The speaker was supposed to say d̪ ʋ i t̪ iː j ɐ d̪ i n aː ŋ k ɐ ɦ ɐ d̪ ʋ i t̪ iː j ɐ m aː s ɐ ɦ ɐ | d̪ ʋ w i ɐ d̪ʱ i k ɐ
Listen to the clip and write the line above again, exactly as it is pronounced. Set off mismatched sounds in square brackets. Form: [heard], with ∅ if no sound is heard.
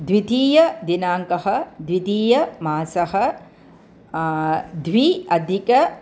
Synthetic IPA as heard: d̪ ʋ i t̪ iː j ɐ d̪ i n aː ŋ k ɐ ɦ ɐ d̪ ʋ i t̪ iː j ɐ m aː s ɐ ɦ ɐ | d̪ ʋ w i ɐ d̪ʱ i k ɐ